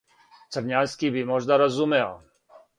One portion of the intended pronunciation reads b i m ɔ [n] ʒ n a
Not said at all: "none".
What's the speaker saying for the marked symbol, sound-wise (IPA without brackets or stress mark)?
none